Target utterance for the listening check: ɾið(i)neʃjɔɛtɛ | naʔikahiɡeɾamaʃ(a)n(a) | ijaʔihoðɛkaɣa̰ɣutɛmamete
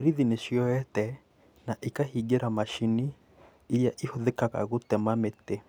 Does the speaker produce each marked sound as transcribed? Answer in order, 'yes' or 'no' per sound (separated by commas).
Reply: yes, no, no